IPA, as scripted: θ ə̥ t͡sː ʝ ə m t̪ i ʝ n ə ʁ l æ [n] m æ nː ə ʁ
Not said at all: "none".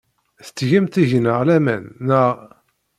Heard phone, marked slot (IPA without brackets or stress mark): none